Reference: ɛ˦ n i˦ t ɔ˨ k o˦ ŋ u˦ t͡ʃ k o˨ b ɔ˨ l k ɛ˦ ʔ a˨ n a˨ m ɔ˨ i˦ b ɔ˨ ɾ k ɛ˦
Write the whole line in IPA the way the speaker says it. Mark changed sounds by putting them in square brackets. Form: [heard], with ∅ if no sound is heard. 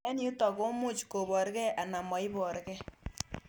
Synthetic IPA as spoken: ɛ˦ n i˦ t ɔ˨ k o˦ [m] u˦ t͡ʃ k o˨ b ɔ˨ [ɾ] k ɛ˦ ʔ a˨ n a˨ m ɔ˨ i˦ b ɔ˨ ɾ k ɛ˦